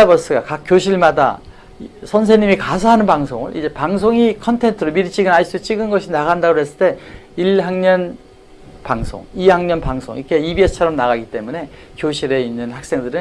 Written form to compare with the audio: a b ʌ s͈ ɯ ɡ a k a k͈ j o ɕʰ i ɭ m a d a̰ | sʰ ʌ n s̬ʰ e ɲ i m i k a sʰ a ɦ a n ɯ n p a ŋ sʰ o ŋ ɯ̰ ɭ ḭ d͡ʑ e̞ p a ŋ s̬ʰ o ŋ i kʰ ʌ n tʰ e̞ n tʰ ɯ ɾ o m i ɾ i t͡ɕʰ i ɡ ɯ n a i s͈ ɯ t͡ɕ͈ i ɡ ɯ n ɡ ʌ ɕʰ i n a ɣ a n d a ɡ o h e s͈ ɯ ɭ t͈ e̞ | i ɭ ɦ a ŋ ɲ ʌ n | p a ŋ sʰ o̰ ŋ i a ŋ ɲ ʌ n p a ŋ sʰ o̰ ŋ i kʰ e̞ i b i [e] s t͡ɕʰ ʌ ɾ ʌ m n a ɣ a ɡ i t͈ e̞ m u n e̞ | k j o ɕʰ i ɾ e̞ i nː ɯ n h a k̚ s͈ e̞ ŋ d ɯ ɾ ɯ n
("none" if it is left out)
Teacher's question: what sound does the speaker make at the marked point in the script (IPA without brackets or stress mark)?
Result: e